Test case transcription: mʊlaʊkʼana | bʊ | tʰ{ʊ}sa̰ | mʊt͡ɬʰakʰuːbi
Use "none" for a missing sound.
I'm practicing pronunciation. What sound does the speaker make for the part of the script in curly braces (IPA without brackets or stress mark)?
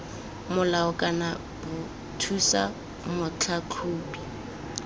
u